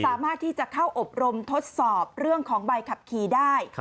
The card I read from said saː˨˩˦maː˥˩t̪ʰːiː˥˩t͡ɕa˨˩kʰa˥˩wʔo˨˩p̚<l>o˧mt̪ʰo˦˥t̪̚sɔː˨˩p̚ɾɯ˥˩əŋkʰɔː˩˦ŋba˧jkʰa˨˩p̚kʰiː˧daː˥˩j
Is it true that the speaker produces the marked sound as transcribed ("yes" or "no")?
no